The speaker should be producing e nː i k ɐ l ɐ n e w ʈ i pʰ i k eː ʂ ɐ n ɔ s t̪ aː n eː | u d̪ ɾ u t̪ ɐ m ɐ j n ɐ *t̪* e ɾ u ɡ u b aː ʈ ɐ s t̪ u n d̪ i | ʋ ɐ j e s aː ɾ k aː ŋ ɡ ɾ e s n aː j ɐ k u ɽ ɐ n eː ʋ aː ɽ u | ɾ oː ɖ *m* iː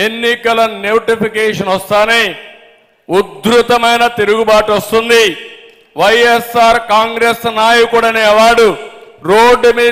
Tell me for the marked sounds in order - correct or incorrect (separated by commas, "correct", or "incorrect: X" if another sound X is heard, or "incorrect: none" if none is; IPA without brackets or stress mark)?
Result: correct, correct